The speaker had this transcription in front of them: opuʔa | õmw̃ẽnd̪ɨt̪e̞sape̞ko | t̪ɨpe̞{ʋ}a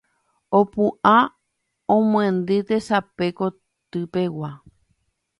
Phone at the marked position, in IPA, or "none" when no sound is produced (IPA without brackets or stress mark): w